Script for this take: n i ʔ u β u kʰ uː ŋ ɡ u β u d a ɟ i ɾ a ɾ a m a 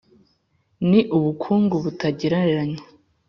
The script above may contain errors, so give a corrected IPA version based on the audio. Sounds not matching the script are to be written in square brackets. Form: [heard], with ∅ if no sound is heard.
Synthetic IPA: n i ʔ u β u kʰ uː ŋ ɡ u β u [t] a ɟ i ɾ a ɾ a [ɲ] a